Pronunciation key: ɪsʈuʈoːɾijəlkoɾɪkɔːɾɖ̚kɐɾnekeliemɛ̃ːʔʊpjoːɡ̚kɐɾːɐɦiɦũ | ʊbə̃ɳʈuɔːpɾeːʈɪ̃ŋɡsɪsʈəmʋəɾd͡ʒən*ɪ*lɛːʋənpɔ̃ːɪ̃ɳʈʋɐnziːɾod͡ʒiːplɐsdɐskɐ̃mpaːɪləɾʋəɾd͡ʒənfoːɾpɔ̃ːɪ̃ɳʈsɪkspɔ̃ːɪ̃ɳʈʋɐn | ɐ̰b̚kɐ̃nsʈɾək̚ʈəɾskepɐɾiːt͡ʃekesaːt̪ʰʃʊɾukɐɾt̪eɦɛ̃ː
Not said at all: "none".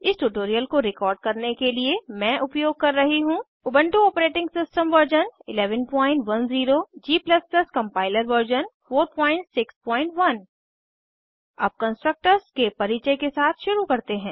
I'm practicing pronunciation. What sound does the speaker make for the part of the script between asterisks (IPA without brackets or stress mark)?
ɪ